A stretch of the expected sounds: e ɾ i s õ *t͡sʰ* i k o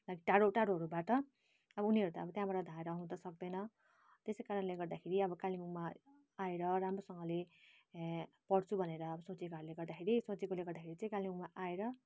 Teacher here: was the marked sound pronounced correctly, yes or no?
no